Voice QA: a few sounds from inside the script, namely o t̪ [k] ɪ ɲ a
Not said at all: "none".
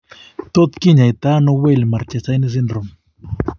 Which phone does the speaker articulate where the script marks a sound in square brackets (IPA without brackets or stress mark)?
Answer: k